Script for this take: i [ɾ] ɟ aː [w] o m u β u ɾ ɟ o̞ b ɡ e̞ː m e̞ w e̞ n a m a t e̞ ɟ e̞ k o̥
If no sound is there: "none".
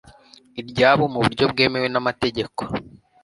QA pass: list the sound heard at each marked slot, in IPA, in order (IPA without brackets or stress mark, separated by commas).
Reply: ɾ, β